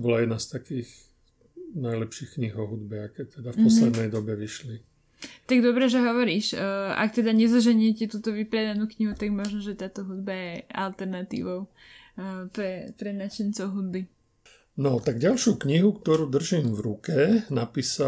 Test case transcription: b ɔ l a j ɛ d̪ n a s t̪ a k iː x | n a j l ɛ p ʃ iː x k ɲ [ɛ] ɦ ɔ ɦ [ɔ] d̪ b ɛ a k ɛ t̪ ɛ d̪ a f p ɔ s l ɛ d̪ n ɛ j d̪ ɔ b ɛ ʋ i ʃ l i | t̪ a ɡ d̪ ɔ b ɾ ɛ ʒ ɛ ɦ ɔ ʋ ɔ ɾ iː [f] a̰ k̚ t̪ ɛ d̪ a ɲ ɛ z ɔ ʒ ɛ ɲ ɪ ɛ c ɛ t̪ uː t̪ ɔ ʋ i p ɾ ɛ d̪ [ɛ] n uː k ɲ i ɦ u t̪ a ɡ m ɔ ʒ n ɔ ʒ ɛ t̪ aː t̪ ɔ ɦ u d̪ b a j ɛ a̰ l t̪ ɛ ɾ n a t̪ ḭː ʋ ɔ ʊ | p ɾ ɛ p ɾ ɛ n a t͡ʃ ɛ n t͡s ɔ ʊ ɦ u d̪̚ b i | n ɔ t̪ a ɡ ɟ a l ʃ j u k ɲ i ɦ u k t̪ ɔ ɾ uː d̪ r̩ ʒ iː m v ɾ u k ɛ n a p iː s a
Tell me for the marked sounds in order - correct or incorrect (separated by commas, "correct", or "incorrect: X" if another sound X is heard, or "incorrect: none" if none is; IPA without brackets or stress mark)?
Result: incorrect: i, incorrect: u, incorrect: ʃ, incorrect: a